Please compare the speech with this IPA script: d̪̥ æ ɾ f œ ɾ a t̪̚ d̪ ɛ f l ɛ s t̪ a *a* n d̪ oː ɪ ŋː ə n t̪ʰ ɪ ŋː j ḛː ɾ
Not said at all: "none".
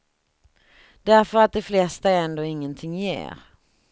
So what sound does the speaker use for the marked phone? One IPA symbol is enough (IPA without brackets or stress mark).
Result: ɛ